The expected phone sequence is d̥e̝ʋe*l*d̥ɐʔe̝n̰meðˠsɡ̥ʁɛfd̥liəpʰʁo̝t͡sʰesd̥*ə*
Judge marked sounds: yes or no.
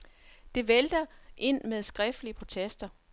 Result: yes, no

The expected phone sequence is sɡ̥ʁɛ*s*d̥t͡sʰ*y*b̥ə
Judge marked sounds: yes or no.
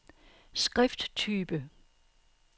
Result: no, no

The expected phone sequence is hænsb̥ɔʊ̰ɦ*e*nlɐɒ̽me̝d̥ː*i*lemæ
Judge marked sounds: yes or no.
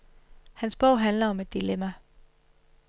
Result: no, yes

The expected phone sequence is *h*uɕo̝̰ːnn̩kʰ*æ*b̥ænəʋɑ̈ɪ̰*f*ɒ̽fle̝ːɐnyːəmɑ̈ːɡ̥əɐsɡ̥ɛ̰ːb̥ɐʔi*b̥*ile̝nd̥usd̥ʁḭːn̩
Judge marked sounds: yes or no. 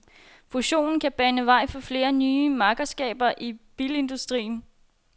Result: no, yes, yes, yes

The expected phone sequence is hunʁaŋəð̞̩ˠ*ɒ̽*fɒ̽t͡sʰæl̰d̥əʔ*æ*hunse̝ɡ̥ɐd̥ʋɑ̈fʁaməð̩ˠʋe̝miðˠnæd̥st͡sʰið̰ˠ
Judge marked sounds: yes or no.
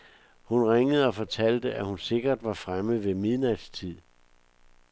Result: yes, yes

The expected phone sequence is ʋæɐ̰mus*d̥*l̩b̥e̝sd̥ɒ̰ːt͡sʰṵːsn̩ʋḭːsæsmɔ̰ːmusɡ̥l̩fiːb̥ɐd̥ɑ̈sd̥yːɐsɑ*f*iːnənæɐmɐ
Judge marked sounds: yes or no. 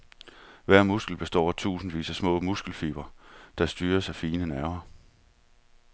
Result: no, yes

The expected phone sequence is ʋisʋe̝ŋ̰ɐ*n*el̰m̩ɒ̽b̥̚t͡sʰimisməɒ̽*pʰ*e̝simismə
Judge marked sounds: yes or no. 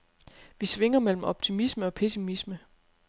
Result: no, yes

